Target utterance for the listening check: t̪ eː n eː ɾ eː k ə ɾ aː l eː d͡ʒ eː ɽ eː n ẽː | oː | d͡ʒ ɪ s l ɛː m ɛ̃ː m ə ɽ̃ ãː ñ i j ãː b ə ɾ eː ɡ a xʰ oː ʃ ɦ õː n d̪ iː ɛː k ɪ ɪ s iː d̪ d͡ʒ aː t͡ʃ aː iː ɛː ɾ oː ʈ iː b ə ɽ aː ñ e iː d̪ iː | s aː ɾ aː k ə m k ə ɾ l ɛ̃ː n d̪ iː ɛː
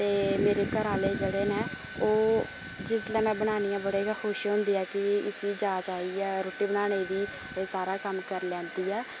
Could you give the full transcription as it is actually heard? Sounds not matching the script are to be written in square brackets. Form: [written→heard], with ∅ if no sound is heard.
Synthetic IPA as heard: t̪ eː [n→m] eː ɾ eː k ə ɾ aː l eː d͡ʒ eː ɽ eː n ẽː | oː | d͡ʒ ɪ s l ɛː m ɛ̃ː [m→b] ə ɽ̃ [ãː→aː] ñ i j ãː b ə [ɾ→ɽ] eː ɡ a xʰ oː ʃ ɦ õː n d̪ iː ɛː k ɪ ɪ s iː [d̪→∅] d͡ʒ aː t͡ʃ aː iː ɛː ɾ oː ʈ iː b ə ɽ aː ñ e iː d̪ iː | s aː ɾ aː k ə m k ə ɾ l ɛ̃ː n d̪ iː ɛː